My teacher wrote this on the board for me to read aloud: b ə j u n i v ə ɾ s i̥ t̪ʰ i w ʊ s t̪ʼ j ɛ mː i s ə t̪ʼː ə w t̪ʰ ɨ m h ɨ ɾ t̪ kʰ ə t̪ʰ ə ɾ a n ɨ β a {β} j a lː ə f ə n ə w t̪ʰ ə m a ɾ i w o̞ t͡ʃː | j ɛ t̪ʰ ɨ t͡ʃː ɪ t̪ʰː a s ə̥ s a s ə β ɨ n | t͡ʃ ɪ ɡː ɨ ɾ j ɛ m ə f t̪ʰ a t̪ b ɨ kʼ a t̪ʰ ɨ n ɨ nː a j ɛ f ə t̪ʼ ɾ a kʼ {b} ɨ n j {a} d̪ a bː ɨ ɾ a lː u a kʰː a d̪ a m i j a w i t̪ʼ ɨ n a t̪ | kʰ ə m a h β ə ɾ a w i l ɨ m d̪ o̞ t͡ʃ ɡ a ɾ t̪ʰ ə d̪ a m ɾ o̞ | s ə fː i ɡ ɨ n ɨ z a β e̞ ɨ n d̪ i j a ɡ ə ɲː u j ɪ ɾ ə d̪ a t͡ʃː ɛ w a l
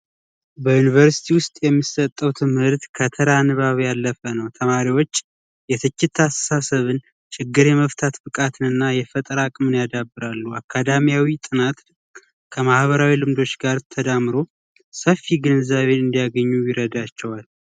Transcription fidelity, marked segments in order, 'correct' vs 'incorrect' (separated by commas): correct, incorrect, correct